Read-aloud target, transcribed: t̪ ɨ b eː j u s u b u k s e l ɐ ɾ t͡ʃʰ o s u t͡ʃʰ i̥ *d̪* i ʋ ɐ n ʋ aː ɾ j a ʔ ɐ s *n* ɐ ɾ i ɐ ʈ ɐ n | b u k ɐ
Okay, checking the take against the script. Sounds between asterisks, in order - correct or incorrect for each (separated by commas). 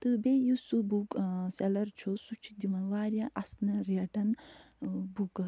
correct, correct